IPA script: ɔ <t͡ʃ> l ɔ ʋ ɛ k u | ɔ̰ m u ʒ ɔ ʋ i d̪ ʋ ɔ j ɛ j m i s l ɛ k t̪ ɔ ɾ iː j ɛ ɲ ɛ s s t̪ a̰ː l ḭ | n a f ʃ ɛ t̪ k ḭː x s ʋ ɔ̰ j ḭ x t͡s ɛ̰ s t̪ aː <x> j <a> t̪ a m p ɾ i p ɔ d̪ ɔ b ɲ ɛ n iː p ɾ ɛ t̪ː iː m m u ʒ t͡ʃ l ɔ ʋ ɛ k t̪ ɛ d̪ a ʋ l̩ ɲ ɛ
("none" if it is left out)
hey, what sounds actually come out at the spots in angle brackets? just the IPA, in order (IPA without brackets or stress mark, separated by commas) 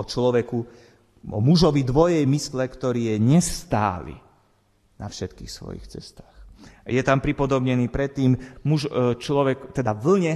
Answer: t͡ʃ, x, ɛ